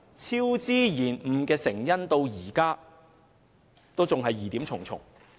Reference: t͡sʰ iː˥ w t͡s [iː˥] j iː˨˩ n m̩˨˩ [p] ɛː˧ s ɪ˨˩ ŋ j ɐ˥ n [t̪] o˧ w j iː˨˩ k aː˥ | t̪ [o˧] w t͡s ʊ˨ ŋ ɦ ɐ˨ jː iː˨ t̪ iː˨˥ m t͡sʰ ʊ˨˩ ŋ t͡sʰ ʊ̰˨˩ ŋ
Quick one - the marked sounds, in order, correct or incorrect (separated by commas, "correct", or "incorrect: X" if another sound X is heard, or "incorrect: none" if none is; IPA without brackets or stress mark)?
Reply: correct, incorrect: k, correct, incorrect: o˥